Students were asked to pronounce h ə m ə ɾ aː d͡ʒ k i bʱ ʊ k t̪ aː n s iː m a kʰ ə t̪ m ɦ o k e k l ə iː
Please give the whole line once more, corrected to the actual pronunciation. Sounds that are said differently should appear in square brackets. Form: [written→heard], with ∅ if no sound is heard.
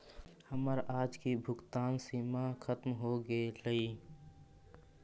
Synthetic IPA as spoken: h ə m ə ɾ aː d͡ʒ k i bʱ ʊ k t̪ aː n s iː m a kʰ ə t̪ m ɦ o [k→ɡ] e [k→∅] l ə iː